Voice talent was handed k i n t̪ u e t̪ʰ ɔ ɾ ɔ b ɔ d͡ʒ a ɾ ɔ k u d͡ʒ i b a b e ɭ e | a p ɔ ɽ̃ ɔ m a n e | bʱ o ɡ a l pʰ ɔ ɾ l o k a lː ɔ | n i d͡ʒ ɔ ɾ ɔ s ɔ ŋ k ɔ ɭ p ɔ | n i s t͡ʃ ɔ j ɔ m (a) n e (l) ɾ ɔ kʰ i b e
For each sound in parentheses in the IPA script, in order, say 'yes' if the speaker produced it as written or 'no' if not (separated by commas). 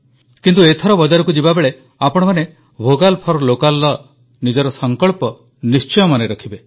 yes, no